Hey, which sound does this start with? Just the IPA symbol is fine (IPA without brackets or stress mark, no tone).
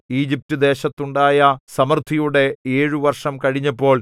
iː